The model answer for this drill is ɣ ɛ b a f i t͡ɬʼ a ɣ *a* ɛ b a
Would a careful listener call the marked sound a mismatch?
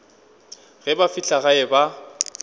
no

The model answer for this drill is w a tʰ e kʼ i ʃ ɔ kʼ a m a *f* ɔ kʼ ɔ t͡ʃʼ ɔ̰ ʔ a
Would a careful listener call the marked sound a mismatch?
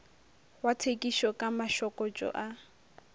yes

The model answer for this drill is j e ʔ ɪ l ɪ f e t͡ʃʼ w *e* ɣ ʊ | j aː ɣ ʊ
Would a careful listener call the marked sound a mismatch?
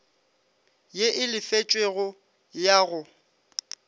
no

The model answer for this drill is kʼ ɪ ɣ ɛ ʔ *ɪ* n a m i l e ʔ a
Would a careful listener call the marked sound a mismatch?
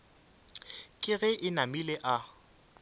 no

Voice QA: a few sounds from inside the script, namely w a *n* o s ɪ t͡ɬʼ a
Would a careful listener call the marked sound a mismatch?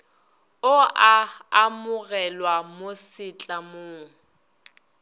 yes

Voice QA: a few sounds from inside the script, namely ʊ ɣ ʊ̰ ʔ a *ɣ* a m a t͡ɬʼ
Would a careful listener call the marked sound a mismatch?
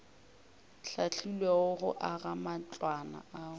no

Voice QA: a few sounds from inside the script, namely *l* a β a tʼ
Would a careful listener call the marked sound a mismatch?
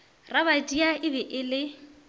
yes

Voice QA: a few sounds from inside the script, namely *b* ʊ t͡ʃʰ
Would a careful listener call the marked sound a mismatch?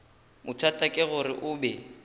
yes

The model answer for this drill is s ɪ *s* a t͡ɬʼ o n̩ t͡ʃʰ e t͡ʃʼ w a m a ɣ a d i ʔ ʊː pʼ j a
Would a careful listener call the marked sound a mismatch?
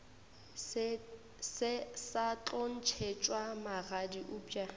no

